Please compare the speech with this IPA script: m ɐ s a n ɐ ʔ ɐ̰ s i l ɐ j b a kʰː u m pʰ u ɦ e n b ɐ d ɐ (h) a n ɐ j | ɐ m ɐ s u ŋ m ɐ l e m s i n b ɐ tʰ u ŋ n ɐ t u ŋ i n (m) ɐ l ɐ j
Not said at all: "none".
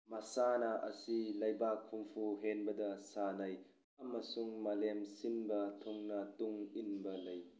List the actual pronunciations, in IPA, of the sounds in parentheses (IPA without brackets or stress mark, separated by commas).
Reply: s, b